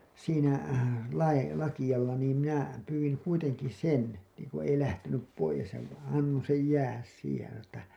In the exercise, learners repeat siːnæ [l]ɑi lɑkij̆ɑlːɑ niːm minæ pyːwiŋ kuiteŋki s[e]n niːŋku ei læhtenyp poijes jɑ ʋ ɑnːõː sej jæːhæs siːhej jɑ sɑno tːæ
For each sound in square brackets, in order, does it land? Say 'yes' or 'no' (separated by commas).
yes, yes